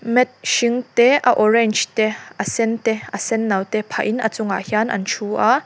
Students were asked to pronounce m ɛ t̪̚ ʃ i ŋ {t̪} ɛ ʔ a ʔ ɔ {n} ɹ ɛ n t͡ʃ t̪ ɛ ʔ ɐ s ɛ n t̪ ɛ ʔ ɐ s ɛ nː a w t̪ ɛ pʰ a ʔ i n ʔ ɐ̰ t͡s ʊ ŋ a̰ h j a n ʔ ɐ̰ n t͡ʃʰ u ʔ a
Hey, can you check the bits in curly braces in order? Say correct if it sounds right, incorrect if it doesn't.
correct, incorrect

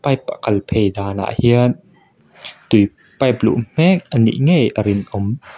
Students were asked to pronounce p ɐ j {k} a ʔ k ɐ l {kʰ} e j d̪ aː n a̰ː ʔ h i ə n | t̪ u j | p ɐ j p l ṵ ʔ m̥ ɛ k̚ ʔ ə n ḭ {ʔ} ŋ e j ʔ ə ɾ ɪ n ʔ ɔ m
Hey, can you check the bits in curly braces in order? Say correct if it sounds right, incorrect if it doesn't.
incorrect, incorrect, correct

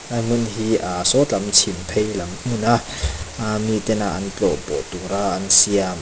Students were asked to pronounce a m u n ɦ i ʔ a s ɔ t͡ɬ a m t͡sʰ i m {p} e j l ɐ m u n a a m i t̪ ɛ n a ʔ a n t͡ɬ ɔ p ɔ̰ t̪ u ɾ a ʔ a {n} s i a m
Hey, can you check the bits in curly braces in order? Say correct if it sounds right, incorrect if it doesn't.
incorrect, correct

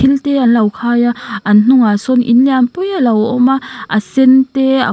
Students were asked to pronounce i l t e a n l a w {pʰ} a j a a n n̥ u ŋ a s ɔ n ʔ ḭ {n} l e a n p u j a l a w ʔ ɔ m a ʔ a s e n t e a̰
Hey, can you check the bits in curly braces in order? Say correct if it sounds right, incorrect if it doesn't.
incorrect, correct

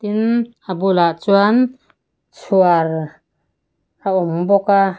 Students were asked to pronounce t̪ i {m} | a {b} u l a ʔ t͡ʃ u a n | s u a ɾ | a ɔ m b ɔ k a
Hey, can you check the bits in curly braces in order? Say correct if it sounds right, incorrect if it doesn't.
incorrect, correct

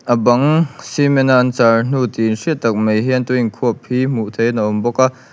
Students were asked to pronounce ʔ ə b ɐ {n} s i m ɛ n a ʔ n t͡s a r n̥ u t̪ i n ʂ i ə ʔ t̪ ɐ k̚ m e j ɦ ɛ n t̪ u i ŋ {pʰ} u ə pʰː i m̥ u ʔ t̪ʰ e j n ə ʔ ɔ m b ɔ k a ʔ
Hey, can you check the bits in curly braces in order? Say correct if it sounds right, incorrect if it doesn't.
incorrect, incorrect

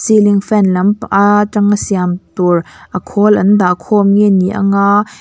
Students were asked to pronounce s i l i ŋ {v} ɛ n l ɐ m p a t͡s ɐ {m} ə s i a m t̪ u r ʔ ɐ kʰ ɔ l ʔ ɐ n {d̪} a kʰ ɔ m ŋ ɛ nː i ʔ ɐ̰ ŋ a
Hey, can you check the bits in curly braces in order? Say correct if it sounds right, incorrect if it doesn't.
incorrect, incorrect, correct

